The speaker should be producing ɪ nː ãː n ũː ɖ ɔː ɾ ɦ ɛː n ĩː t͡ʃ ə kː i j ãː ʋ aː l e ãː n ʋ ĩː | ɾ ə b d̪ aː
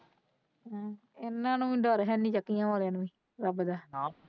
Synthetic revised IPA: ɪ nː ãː n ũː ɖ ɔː ɾ ɦ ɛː n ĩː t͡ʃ ə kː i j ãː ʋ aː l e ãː n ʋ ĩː | ɾ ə b d̪ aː